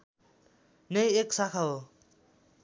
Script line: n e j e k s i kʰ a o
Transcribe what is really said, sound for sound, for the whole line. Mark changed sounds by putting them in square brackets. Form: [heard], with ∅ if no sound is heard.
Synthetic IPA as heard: n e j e k s [a] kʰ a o